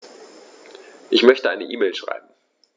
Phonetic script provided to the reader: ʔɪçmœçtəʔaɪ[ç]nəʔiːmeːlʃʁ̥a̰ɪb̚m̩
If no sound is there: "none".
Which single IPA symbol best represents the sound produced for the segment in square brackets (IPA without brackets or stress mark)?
none